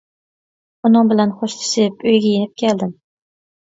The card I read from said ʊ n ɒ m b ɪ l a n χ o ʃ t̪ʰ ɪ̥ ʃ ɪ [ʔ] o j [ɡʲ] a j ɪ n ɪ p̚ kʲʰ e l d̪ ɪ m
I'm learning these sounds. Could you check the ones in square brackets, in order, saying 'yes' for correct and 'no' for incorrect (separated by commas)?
no, yes